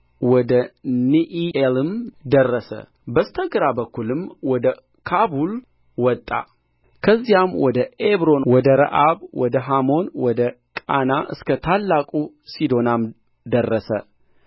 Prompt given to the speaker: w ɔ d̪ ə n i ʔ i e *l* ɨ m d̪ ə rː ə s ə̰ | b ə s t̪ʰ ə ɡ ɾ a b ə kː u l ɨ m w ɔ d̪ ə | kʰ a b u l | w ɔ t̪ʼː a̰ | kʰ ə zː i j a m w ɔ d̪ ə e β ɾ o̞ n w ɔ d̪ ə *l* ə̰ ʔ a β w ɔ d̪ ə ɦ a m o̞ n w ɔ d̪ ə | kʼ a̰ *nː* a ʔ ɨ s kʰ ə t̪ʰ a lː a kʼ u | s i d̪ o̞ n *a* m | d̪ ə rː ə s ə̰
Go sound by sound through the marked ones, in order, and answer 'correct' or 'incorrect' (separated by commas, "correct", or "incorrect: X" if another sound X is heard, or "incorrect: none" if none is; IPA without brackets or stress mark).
correct, incorrect: ɾ, incorrect: n, correct